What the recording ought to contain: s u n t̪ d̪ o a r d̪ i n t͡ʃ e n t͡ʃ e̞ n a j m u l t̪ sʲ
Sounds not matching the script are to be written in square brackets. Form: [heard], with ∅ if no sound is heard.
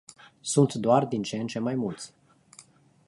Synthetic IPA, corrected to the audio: s u n t̪ d̪ o a r d̪ i n t͡ʃ e n t͡ʃ e̞ [m] a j m u l t̪ sʲ